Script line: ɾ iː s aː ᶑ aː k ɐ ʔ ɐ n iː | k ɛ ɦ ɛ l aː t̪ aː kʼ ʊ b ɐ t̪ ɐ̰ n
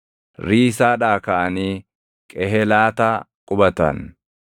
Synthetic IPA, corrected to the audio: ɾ iː s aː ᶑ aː k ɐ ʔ ɐ n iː | kʼ ɛ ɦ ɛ l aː t̪ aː kʼ ʊ b ɐ t̪ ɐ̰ n

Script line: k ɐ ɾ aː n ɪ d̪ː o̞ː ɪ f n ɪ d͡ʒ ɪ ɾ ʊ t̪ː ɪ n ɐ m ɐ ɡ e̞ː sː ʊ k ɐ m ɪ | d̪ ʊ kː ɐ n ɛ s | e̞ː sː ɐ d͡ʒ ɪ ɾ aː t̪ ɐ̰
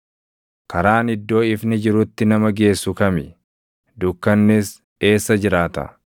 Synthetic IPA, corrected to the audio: k ɐ ɾ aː n ɪ d̪ː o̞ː ɪ f n ɪ d͡ʒ ɪ ɾ ʊ t̪ː ɪ n ɐ m ɐ ɡ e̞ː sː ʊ k ɐ m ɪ | d̪ ʊ kː ɐ nː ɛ s | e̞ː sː ɐ d͡ʒ ɪ ɾ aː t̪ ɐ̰

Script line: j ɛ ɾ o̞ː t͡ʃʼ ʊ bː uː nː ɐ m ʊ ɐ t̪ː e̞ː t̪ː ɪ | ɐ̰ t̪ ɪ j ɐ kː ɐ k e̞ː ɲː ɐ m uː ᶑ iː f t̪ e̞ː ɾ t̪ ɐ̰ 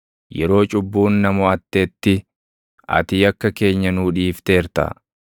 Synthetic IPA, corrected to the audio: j ɛ ɾ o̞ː t͡ʃʼ ʊ bː uː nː ɐ m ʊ ɐ t̪ː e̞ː t̪ː ɪ | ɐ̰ t̪ ɪ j ɐ kː ɐ k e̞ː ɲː ɐ n uː ᶑ iː f t̪ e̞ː ɾ t̪ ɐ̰

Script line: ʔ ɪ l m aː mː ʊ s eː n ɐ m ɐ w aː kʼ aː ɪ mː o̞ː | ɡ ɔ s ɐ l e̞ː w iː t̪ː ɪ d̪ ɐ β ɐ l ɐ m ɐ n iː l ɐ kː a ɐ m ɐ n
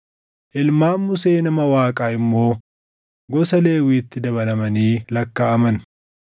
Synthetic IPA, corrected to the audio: ʔ ɪ l m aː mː ʊ s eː n ɐ m ɐ w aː kʼ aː ɪ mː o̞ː | ɡ ɔ s ɐ l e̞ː w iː t̪ː ɪ d̪ ɐ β ɐ l ɐ m ɐ n iː l ɐ kː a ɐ m ɐ n

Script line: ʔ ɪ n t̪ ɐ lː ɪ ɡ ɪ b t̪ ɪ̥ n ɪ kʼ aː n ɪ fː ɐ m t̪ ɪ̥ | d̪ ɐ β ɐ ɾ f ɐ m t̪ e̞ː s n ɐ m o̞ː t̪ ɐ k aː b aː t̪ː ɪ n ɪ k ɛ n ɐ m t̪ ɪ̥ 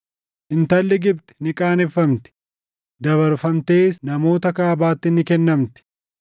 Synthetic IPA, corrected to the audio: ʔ ɪ n t̪ ɐ lː ɪ ɡ ɪ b t̪ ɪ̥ n ɪ kʼ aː n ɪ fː ɐ m t̪ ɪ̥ | d̪ ɐ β ɐ ɾ f ɐ m t̪ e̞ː s n ɐ m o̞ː t̪ ɐ k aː b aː t̪ː ɪ n ɪ k ɛ nː ɐ m t̪ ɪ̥

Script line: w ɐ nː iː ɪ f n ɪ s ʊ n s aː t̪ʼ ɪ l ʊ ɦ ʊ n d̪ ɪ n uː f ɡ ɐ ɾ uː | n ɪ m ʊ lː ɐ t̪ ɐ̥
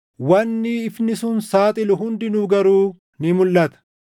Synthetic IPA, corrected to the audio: w ɐ nː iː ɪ f n ɪ s ʊ n s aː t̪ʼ ɪ l ʊ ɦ ʊ n d̪ ɪ n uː ɡ ɐ ɾ uː | n ɪ m ʊ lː ɐ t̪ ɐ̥

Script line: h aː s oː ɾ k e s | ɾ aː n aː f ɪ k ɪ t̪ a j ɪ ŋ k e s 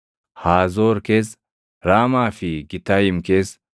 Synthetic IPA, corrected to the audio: h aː z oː ɾ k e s | ɾ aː m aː f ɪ ɡ ɪ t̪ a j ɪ m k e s

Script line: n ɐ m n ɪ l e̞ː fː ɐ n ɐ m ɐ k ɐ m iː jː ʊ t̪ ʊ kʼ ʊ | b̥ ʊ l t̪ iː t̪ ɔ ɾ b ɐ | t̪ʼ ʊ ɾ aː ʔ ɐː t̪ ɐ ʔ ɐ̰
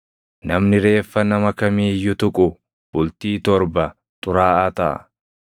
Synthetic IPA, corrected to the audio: n ɐ m n ɪ ɾ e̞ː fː ɐ n ɐ m ɐ k ɐ m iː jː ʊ t̪ ʊ kʼ ʊ | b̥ ʊ l t̪ iː t̪ ɔ ɾ b ɐ | t̪ʼ ʊ ɾ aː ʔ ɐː t̪ ɐ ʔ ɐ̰

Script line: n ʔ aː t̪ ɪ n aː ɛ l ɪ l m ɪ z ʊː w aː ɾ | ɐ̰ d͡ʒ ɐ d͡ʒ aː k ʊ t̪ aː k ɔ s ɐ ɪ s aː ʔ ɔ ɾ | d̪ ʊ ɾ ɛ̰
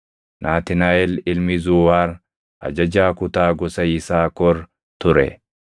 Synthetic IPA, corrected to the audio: n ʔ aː t̪ ɪ n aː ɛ l ɪ l m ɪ z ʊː w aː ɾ | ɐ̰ d͡ʒ ɐ d͡ʒ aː k ʊ t̪ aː ɡ ɔ s ɐ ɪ s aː k ɔ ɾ | t̪ ʊ ɾ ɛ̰

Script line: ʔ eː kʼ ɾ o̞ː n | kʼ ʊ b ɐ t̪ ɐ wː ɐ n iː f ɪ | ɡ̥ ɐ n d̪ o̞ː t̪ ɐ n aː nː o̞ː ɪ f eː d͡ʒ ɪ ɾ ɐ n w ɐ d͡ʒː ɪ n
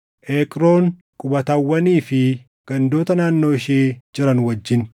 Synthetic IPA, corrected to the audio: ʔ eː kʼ ɾ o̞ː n | kʼ ʊ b ɐ t̪ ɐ wː ɐ n iː f ɪ | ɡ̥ ɐ n d̪ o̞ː t̪ ɐ n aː nː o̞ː ɪ ʃ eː d͡ʒ ɪ ɾ ɐ n w ɐ d͡ʒː ɪ n

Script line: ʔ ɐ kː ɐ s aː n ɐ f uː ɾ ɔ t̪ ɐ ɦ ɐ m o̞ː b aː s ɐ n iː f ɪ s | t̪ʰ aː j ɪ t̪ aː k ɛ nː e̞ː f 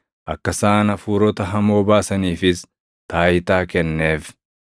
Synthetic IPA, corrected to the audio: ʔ ɐ kː ɐ s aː n ɐ f uː ɾ ɔ t̪ ɐ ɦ ɐ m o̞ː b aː s ɐ n iː f ɪ s | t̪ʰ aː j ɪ t̪ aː k ɛ nː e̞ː f

